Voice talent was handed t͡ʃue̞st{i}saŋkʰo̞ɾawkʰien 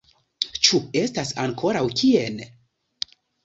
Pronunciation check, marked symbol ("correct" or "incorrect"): incorrect